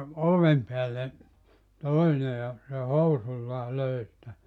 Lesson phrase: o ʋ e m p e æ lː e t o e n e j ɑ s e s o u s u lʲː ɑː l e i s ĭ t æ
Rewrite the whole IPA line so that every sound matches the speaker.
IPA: o ʋ e m p e æ lː e t o i n e j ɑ s e h o u s u lʲː ɑː l ø i s ĭ t æ